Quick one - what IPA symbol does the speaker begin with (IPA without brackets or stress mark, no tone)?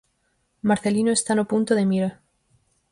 m